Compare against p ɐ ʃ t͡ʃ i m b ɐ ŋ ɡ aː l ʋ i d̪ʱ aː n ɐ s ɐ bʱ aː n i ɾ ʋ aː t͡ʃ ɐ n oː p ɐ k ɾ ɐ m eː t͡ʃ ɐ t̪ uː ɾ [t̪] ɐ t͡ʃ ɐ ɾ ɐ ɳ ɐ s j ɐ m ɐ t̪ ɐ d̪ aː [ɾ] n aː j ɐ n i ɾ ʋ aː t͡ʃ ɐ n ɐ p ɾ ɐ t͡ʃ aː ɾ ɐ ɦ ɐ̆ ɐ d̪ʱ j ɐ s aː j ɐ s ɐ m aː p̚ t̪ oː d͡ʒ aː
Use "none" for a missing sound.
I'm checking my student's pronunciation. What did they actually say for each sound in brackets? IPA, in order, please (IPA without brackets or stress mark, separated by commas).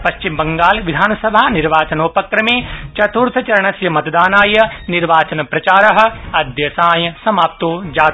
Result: t̪ʰ, none